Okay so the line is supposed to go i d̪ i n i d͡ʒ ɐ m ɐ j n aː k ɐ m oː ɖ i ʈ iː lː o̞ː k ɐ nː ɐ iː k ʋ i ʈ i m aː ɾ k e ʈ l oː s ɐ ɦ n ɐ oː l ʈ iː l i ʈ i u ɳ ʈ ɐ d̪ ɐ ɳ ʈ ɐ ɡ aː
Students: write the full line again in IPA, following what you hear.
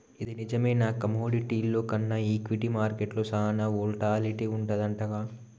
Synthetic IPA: i d̪ i n i d͡ʒ ɐ m ɐ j n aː k ɐ m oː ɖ i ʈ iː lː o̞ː k ɐ nː ɐ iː k ʋ i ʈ i m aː ɾ k e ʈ l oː s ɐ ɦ n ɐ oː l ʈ aː l i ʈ i u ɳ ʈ ɐ d̪ ɐ ɳ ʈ ɐ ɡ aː